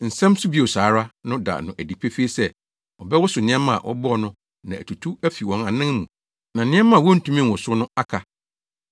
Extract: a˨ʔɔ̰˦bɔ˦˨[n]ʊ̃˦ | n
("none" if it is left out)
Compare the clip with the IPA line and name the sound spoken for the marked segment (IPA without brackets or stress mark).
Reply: n